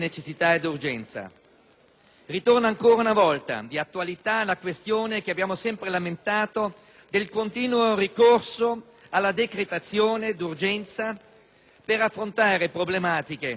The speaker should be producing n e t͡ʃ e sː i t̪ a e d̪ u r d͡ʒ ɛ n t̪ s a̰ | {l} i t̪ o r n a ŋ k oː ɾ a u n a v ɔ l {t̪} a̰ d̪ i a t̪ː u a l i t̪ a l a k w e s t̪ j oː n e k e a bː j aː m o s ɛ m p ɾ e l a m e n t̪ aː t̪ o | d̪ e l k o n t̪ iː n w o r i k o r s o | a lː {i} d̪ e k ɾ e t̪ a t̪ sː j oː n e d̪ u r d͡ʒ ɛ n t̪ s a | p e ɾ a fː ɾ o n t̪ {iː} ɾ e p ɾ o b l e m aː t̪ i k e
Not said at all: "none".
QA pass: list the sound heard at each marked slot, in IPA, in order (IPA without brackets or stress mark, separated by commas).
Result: r, t̪, a, aː